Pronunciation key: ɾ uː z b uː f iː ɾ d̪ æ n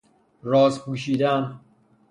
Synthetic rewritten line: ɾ ɒː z p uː ʃ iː d̪ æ n